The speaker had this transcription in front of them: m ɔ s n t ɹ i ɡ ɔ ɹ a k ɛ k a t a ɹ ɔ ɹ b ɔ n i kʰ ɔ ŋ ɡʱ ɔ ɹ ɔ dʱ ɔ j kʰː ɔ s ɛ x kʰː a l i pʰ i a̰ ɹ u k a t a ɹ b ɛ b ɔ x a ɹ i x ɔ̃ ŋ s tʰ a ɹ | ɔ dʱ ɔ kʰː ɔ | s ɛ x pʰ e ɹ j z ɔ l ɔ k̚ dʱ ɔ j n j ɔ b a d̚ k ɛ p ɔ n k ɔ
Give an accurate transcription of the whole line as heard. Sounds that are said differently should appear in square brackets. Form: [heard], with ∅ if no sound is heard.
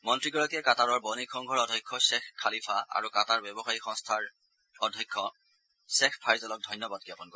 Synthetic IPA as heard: m ɔ [∅] n t ɹ i ɡ ɔ ɹ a k ɛ k a t a ɹ ɔ ɹ b ɔ n i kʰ ɔ ŋ ɡʱ ɔ ɹ ɔ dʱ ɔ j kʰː ɔ s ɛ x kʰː a l i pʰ [a] a̰ ɹ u k a t a ɹ b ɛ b ɔ x a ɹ i x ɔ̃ ŋ s tʰ a ɹ | ɔ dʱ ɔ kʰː ɔ | s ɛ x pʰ [a] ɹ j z ɔ l ɔ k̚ dʱ ɔ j n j ɔ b a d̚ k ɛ p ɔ n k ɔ